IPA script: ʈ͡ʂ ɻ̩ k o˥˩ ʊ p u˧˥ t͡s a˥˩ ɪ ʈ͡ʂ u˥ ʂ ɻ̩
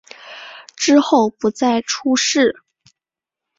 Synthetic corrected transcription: ʈ͡ʂ ɻ̩ x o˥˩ ʊ p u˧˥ t͡s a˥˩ ɪ ʈ͡ʂʰ u˥ ʂ ɻ̩